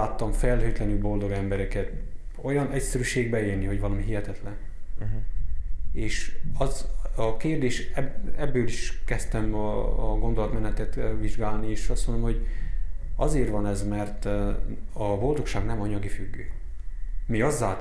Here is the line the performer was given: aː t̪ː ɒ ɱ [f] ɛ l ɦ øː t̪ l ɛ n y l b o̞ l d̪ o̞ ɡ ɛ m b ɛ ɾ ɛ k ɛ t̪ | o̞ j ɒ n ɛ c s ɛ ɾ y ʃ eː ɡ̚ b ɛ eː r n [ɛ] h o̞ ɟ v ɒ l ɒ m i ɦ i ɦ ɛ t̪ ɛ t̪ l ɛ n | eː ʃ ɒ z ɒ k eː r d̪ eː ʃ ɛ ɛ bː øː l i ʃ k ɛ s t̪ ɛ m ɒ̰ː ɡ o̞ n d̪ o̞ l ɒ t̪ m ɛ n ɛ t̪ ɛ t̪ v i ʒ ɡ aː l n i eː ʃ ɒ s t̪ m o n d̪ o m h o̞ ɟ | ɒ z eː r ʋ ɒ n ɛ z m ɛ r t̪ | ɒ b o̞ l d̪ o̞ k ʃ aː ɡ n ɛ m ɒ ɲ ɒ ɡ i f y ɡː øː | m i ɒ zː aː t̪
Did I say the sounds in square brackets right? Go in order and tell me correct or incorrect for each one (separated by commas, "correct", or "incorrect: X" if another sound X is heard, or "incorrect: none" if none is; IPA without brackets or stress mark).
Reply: correct, incorrect: i